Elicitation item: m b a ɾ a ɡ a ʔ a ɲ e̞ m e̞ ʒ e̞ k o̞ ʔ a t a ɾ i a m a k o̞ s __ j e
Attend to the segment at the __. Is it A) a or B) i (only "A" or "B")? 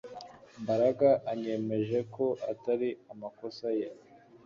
A